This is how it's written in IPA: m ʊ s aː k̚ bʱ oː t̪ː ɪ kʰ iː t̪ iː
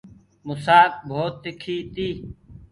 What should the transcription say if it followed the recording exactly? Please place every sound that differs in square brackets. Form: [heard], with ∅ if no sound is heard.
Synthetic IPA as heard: m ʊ s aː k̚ bʱ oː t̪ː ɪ kʰ iː t̪ iː